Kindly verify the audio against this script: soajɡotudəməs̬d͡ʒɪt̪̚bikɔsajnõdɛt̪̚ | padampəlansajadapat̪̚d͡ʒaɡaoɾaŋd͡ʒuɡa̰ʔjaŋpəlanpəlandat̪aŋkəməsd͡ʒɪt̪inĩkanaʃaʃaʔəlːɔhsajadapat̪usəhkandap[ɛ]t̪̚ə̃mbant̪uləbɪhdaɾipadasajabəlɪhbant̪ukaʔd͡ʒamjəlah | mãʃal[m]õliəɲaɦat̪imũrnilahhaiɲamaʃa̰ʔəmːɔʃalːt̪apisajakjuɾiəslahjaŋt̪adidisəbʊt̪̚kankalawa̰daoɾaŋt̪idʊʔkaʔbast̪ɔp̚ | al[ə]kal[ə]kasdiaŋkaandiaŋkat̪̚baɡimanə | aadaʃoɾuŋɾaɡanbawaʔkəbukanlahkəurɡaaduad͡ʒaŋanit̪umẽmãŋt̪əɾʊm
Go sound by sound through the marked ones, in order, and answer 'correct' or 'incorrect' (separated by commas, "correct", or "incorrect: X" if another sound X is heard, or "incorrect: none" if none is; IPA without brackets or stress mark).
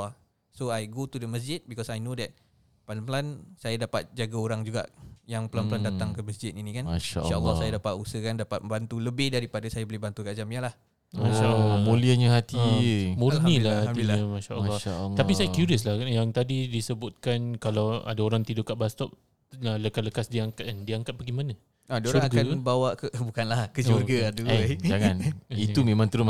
incorrect: a, correct, correct, correct